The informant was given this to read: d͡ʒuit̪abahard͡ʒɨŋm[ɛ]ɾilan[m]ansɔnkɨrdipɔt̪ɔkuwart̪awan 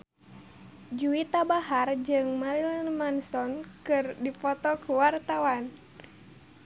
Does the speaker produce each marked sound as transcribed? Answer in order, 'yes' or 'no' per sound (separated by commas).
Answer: no, yes